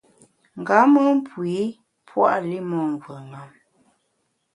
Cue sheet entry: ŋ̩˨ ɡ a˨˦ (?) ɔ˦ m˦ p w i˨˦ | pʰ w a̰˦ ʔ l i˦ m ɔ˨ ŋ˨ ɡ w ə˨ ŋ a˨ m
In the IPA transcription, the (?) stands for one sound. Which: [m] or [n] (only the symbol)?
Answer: m